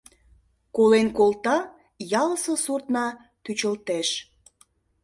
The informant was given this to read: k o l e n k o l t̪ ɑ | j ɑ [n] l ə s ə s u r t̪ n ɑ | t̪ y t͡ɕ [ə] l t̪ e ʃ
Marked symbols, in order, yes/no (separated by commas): no, yes